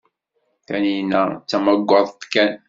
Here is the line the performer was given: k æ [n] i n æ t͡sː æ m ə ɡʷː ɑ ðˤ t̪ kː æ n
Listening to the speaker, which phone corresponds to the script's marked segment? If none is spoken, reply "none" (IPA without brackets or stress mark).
n